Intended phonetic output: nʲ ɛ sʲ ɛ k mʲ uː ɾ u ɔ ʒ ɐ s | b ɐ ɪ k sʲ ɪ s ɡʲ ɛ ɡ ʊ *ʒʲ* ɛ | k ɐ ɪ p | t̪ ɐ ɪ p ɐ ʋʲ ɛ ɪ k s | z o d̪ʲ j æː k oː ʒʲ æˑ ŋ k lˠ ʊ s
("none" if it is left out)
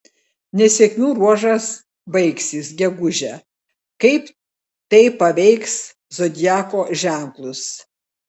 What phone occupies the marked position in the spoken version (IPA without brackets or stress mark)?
ʒʲ